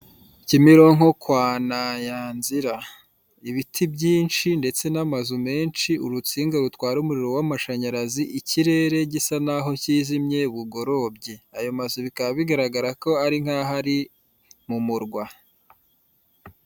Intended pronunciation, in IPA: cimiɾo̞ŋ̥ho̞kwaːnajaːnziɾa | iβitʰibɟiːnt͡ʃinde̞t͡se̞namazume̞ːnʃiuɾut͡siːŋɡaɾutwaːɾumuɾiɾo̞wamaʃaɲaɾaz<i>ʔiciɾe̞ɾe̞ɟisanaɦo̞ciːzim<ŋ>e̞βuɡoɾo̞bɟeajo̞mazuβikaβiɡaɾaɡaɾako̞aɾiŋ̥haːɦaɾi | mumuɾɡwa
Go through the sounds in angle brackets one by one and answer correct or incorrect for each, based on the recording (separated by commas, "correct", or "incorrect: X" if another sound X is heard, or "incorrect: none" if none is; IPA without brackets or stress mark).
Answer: correct, incorrect: ɲ